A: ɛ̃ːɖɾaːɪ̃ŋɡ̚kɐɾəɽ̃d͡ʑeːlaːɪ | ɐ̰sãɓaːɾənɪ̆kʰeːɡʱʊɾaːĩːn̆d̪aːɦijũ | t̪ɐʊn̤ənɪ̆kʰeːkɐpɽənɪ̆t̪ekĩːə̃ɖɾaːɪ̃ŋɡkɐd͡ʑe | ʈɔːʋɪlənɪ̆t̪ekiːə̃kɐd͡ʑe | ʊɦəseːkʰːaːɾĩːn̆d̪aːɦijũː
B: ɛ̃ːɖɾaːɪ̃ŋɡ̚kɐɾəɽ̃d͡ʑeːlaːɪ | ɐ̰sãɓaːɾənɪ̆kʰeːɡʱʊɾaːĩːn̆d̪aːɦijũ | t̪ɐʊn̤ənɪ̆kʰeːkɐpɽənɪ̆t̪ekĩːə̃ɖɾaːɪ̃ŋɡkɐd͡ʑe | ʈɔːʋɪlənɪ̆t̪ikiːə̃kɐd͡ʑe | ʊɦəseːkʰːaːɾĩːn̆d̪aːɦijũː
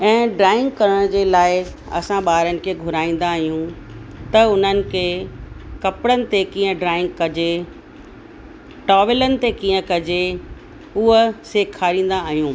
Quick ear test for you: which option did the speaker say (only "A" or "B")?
A